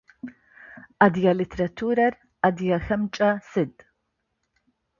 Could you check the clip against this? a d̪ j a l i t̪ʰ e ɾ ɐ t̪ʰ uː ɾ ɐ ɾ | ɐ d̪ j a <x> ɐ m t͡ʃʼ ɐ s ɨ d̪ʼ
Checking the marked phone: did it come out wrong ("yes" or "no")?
no